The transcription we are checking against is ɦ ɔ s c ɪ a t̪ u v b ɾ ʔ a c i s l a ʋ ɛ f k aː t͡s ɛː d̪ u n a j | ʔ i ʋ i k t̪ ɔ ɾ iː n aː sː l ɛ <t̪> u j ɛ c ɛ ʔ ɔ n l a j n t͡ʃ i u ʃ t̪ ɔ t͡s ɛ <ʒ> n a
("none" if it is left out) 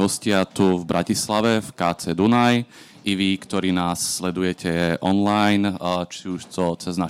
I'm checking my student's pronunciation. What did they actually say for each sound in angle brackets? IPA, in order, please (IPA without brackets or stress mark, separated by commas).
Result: d̪, z